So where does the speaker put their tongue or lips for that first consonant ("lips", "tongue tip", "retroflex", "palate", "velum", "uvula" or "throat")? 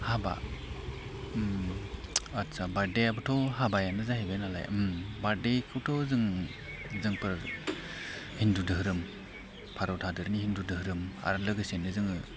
throat